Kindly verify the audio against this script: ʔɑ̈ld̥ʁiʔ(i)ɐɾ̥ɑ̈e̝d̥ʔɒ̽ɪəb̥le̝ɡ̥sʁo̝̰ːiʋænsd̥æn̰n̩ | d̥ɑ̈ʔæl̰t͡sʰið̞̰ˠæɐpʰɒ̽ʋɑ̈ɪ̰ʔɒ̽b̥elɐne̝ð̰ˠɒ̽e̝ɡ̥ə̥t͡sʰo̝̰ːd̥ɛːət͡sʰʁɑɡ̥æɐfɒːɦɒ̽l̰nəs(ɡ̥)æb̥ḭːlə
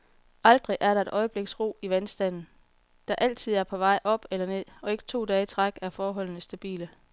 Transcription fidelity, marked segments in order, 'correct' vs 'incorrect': incorrect: æ, incorrect: d̥

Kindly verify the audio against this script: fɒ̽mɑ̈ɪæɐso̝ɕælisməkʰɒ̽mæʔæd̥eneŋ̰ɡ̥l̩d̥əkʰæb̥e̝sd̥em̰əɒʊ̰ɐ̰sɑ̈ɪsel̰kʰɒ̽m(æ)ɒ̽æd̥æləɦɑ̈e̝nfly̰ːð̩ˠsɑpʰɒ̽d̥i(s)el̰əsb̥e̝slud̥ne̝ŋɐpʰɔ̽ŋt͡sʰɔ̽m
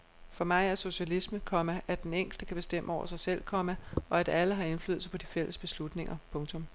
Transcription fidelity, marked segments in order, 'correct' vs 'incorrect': correct, incorrect: f

